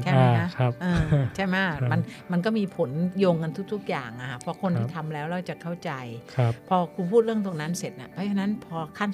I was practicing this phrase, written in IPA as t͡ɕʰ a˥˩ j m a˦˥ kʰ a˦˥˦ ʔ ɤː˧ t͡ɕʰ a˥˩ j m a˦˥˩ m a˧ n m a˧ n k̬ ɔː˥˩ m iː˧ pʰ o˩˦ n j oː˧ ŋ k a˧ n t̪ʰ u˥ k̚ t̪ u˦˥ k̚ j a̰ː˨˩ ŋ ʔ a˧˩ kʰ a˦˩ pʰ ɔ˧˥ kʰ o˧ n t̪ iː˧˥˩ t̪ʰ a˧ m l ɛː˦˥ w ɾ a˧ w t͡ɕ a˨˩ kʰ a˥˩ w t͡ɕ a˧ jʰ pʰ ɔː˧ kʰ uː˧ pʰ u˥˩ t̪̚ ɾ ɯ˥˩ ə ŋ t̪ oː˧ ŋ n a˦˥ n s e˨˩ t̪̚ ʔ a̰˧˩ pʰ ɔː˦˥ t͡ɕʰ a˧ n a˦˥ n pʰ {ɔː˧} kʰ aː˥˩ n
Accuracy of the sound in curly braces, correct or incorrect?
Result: correct